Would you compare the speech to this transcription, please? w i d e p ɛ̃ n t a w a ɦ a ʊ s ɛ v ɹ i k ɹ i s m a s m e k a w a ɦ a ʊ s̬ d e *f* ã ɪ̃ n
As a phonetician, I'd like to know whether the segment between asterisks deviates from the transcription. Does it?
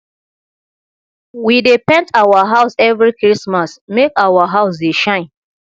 yes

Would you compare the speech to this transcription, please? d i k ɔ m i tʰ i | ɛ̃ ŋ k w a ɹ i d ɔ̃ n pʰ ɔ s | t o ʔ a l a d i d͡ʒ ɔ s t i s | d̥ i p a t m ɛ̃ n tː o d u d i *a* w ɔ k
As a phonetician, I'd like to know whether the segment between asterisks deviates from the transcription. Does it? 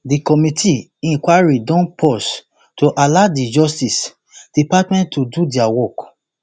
no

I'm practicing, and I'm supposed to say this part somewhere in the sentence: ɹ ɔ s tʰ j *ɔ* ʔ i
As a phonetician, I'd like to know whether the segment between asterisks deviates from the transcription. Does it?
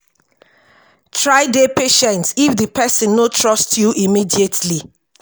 yes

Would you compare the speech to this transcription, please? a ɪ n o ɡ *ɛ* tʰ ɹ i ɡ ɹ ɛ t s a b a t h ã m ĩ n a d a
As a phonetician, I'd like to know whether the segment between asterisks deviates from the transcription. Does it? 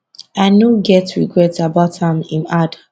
no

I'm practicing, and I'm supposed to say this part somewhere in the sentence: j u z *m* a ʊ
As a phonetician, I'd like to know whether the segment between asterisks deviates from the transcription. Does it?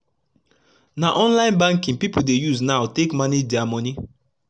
yes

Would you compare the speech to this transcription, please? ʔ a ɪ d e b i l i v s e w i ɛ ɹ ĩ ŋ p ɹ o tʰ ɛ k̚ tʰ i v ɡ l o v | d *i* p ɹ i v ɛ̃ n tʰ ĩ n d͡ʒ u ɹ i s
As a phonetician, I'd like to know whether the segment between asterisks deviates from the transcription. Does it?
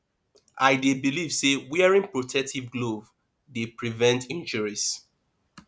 yes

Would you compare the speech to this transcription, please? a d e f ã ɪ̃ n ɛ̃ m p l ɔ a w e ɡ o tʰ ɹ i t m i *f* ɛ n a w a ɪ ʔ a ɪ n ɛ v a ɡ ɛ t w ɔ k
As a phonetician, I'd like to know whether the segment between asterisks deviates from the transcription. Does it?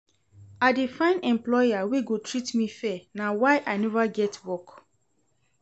no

